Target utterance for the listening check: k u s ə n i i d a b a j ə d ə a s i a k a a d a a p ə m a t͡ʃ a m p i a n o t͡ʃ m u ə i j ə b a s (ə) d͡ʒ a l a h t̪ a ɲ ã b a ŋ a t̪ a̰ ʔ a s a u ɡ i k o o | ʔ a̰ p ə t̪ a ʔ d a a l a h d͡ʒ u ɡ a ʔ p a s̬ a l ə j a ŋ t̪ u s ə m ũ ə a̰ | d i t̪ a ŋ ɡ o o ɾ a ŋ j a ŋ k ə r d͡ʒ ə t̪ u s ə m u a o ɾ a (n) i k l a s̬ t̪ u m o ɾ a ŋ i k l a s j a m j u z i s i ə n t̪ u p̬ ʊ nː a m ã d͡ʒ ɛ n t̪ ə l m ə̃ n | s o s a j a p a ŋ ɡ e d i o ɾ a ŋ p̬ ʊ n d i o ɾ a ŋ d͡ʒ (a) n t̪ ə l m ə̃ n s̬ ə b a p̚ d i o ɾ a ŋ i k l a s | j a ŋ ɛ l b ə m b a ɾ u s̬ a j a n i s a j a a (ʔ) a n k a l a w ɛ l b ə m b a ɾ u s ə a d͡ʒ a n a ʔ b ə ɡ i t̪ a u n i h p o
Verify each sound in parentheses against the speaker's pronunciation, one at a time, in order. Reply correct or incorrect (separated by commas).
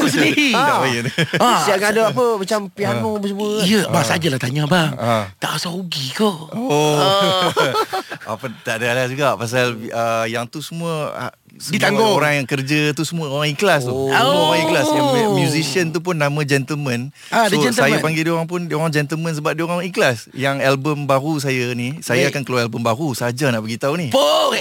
incorrect, incorrect, incorrect, incorrect